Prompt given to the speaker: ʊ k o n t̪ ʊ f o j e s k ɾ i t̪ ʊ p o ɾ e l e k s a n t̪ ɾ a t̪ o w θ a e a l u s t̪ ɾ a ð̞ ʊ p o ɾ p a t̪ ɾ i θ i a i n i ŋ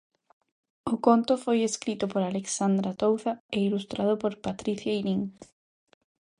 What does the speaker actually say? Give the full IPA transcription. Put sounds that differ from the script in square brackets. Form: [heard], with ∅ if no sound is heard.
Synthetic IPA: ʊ k o n t̪ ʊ f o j e s k ɾ i t̪ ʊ p o ɾ [a] l e k s a n [d̪] ɾ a t̪ o w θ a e [i] l u s t̪ ɾ a ð̞ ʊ p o ɾ p a t̪ ɾ i θ [j] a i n i ŋ